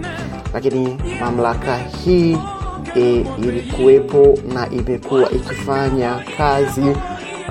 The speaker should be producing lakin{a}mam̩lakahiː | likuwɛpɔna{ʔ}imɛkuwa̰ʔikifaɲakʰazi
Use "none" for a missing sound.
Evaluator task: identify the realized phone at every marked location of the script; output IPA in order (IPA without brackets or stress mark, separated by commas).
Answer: i, ʔ